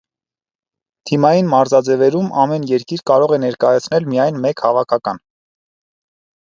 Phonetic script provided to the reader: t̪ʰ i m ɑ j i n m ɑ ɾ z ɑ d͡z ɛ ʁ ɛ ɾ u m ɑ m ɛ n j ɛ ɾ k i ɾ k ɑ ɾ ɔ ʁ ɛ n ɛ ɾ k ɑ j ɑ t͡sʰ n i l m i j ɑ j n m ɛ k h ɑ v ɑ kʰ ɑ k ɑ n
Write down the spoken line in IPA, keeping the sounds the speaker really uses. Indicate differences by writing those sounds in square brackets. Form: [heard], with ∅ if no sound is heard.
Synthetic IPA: t̪ʰ i m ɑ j i n m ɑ ɾ z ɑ d͡z ɛ [v] ɛ ɾ u m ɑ m ɛ n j ɛ ɾ k i ɾ k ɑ ɾ ɔ ʁ ɛ n ɛ ɾ k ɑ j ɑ t͡sʰ n [ɛ] l m i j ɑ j n m ɛ k h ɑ v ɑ kʰ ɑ k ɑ n

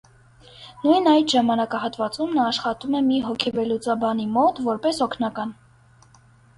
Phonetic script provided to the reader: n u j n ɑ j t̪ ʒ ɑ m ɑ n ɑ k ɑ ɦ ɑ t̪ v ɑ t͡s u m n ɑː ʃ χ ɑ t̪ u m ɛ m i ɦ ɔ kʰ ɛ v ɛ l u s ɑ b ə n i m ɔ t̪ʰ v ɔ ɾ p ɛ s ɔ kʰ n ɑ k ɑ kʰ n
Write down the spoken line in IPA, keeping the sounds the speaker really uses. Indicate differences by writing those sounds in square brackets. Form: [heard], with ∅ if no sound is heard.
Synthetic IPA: n u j n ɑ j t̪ ʒ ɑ m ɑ n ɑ k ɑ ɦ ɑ t̪ v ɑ t͡s u m n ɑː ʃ χ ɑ t̪ u m ɛ m i ɦ ɔ kʰ ɛ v ɛ l u [t͡s] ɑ b [ɑ] n i m ɔ [t̪] v ɔ ɾ p ɛ s ɔ kʰ n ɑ k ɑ [∅] n

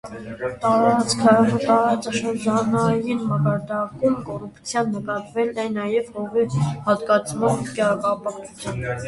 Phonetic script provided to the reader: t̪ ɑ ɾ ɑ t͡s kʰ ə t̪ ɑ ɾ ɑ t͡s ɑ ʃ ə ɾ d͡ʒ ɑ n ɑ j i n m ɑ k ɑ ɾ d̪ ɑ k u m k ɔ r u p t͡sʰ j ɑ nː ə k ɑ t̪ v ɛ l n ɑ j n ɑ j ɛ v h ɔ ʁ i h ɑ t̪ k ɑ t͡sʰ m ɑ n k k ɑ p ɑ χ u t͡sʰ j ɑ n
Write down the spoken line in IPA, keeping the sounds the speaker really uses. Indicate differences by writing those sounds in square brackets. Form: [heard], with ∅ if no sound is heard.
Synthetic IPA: t̪ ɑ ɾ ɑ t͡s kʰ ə t̪ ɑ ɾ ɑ t͡s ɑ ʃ ə ɾ d͡ʒ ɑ n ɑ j i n m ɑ k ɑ ɾ d̪ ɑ k u m k ɔ r u p t͡sʰ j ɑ nː ə k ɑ t̪ v ɛ l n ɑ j n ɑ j ɛ v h ɔ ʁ i h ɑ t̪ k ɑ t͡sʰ m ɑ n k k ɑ p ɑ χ u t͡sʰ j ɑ n

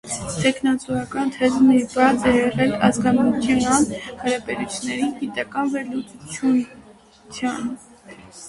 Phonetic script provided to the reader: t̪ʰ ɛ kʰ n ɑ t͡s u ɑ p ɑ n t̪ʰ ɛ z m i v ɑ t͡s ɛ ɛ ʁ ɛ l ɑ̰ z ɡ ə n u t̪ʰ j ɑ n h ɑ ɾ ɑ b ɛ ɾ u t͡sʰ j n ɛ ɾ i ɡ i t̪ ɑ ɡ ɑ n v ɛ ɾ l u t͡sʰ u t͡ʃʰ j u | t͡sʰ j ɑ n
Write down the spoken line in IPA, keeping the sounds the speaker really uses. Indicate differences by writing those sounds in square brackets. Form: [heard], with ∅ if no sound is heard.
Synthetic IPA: t̪ʰ ɛ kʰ n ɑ t͡s u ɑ [k] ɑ n t̪ʰ ɛ z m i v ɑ t͡s ɛ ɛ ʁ ɛ l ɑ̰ z ɡ [ɑ] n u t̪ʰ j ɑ n h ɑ ɾ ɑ b ɛ ɾ u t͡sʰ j n ɛ ɾ i ɡ i t̪ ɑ [k] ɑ n v ɛ ɾ l u [t͡s] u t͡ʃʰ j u | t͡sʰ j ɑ n

